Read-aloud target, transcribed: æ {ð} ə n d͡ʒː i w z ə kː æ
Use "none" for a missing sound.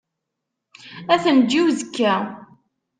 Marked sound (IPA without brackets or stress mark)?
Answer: θ